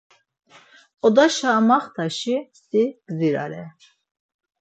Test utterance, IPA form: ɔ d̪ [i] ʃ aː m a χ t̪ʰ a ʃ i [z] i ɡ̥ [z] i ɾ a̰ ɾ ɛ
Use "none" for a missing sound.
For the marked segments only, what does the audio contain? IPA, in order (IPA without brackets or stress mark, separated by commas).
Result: a, s, z